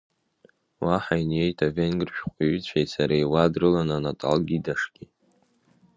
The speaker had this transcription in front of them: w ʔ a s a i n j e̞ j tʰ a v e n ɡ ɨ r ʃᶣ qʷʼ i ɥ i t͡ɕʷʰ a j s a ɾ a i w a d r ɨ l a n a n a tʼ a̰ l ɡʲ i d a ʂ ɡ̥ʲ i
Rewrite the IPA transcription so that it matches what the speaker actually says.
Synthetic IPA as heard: w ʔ a ħ a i n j e̞ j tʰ a v e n ɡ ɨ r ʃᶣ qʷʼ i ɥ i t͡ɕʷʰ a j s a ɾ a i w a d r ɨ l a n a n a tʼ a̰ l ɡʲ i d a ʂ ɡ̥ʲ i

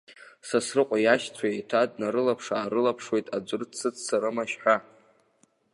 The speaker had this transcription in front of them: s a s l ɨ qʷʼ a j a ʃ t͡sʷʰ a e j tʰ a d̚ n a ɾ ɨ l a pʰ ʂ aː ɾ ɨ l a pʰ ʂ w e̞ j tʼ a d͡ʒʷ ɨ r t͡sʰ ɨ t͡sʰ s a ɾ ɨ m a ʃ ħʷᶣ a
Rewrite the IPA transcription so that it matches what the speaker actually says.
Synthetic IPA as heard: s a s r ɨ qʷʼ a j a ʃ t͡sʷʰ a e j tʰ a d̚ n a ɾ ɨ l a pʰ ʂ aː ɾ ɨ l a pʰ ʂ w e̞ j tʼ a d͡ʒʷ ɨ r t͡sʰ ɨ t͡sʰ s a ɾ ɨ m a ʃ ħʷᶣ a

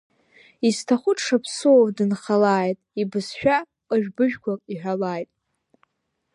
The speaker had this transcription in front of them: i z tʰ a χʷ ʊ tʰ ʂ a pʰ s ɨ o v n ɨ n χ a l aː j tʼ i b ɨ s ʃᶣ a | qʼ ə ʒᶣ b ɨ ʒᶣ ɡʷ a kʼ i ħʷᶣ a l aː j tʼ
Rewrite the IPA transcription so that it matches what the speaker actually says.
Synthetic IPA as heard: i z tʰ a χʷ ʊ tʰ ʂ a pʰ s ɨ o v d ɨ n χ a l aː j tʼ i b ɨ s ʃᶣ a | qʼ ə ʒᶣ b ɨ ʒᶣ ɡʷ a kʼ i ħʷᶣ a l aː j tʼ

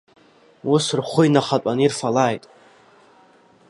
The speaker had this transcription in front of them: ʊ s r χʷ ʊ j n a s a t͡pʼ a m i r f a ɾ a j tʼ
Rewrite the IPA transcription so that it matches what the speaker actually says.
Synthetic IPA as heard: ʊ s r χʷ ʊ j n a χ a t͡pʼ a n i r f a l a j tʼ

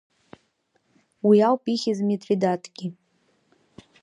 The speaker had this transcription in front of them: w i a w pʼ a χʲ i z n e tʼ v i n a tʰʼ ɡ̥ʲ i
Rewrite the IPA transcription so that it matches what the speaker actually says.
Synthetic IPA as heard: w i a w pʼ i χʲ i z m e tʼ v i d a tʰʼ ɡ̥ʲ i

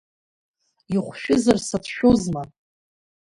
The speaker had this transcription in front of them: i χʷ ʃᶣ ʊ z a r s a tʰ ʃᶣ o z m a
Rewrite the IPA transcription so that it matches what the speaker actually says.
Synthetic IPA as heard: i χʷ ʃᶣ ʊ z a r s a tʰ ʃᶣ o z m a

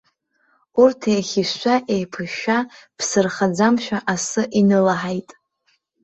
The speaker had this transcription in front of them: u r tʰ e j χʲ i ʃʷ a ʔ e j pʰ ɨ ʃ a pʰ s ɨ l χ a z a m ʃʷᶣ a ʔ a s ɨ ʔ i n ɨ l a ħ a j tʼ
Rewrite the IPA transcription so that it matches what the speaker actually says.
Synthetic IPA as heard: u r tʰ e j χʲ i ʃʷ a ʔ e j pʰ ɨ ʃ a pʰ s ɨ r χ a d͡z a m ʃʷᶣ a ʔ a s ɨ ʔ i n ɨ l a ħ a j tʼ

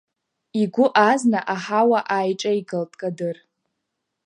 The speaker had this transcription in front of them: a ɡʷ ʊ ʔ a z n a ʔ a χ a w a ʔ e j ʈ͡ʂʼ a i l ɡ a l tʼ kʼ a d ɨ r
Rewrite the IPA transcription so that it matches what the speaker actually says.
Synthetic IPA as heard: i ɡʷ ʊ ʔ a z n a ʔ a ħ a w a ʔ a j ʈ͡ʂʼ a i ɡ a l tʼ kʼ a d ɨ r

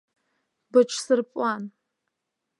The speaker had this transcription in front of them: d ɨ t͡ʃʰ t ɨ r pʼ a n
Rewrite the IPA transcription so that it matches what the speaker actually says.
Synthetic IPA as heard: b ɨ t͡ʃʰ s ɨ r pʼ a n

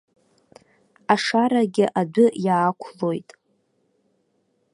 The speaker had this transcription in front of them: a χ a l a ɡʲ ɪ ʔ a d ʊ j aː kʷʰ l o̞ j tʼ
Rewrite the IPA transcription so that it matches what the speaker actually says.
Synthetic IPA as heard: a ʂ a ɾ a ɡʲ ɪ ʔ a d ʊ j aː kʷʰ l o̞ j tʼ

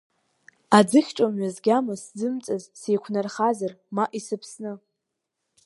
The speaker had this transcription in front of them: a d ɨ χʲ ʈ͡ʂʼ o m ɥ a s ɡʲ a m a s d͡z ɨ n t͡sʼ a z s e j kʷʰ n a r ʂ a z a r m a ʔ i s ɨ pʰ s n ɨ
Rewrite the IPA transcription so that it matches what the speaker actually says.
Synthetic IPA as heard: a d͡z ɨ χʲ ʈ͡ʂʼ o m ɥ a z ɡʲ a m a s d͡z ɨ m t͡sʼ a z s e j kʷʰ n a r χ a z a r m a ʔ i s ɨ pʰ s n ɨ

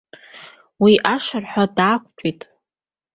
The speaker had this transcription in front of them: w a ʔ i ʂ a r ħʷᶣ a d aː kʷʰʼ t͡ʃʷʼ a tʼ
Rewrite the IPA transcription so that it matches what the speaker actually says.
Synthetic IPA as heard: w i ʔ a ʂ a r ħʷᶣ a d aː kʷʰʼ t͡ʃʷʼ i tʼ

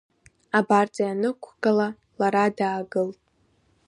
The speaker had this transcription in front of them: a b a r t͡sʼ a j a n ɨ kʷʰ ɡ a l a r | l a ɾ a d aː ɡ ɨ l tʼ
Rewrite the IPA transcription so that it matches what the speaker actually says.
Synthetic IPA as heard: a b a r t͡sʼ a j a n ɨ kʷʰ ɡ a l a | l a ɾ a d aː ɡ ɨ l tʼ

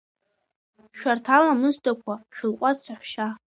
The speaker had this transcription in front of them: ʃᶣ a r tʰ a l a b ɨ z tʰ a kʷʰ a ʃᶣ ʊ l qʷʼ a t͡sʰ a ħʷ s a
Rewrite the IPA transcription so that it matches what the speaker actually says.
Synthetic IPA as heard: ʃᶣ a r tʰ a l a m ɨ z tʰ a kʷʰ a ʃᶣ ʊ l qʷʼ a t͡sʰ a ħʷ ʃ a

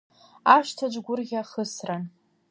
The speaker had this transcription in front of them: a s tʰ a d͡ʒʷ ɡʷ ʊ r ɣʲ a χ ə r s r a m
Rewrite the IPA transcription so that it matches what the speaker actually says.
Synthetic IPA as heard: a ʃ tʰ a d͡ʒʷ ɡʷ ʊ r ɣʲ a χ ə s r a n

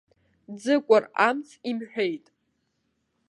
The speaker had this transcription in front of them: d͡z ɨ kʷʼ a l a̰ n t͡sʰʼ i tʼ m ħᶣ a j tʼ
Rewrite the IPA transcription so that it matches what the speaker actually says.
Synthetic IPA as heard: d͡z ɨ kʷʼ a r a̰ m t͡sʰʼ i m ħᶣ e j tʼ

